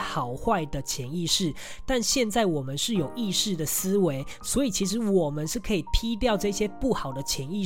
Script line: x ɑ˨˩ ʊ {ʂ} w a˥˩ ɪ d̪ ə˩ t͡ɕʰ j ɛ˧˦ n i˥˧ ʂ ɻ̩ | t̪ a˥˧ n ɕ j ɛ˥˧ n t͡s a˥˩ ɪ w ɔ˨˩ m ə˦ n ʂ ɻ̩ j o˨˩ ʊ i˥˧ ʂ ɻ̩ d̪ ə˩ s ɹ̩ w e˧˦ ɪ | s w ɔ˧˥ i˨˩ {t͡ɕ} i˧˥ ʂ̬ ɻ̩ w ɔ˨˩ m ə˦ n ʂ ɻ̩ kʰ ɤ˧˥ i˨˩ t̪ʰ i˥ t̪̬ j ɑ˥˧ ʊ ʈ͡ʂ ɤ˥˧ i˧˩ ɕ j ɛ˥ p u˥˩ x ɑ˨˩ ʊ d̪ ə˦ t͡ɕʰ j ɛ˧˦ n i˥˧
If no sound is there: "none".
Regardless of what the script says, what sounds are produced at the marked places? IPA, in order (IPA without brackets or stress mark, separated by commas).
x, t͡ɕʰ